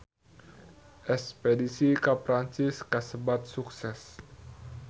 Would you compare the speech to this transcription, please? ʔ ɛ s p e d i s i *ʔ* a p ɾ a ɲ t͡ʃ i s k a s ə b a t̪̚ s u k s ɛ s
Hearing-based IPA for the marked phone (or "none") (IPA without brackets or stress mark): k